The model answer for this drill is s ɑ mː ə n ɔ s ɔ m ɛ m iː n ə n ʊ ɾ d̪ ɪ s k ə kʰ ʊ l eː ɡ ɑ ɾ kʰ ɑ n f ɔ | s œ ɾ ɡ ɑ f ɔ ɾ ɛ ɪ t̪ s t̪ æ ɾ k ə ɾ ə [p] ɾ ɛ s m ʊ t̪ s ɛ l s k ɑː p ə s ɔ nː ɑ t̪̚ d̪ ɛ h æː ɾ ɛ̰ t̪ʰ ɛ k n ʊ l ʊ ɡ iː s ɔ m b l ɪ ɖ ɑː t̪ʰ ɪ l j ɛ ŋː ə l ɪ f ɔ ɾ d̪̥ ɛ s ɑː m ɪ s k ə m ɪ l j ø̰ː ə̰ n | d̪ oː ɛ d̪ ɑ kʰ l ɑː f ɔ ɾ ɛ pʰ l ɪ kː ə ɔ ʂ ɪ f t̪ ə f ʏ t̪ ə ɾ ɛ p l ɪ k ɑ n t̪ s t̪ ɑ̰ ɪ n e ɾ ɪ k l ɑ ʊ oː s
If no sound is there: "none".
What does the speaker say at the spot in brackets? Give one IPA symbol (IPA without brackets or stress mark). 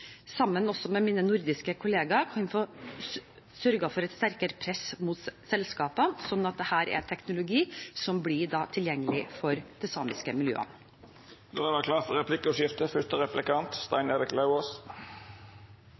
pʰ